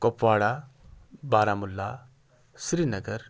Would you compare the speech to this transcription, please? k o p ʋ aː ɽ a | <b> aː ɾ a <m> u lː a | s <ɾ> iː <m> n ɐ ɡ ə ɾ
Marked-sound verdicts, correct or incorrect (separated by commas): correct, correct, correct, incorrect